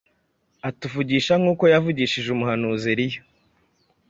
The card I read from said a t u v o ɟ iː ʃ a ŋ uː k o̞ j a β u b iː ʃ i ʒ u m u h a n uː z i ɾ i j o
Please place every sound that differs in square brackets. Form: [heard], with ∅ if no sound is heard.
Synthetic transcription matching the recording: a t u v [u] ɟ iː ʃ a ŋ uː k o̞ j a [v] u [ɟ] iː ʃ i ʒ u m u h a n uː z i ɾ i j o